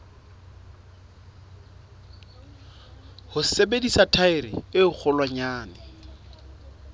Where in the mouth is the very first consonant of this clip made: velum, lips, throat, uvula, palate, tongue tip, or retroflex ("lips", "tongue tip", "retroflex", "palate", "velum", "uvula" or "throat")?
throat